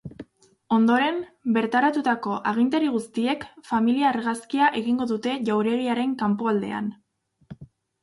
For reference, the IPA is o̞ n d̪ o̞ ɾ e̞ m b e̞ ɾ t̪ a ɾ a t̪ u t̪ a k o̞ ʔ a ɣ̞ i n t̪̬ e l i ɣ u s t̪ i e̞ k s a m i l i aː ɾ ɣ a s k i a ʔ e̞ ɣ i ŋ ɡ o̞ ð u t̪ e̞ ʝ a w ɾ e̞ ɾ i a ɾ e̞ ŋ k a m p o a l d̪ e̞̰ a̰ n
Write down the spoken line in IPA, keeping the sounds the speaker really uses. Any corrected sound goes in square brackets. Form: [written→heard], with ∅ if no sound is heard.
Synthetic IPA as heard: o̞ n d̪ o̞ ɾ e̞ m b e̞ ɾ t̪ a ɾ a t̪ u t̪ a k o̞ ʔ a ɣ̞ i n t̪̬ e [l→ɾ] i ɣ u s t̪ i e̞ k [s→f] a m i l i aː ɾ ɣ a s k i a ʔ e̞ ɣ i ŋ ɡ o̞ ð u t̪ e̞ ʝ a w ɾ e̞ ɾ i a ɾ e̞ ŋ k a m p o a l d̪ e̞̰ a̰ n